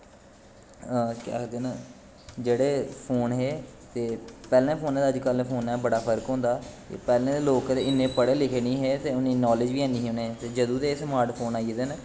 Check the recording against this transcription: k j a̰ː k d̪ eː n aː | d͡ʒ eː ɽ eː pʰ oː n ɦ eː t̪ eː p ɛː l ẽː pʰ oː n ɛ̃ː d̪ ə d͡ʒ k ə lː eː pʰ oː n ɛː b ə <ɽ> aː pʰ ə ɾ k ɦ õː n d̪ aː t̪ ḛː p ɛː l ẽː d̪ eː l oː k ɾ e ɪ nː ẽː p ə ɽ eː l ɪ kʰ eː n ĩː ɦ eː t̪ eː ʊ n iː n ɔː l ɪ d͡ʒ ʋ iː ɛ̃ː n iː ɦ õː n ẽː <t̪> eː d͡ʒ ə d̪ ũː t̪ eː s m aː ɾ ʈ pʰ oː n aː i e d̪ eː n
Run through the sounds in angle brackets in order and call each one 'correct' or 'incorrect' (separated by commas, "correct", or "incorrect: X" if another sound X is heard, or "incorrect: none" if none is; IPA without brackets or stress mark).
correct, correct